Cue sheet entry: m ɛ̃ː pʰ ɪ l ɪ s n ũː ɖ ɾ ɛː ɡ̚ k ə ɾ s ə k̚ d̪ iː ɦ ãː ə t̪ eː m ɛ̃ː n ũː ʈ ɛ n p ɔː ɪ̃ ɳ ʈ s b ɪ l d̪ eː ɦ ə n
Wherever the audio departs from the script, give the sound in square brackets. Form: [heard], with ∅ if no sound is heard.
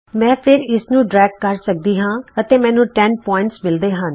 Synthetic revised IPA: m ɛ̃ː pʰ ɪ [ɾ] ɪ s n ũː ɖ ɾ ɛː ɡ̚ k ə ɾ s ə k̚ d̪ iː ɦ ãː ə t̪ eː m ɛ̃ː n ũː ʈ ɛ n p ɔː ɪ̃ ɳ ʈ s [m] ɪ l d̪ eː ɦ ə n